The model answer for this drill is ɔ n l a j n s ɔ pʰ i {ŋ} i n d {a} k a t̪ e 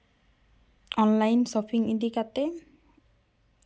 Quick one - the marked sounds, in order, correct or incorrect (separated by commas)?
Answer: correct, incorrect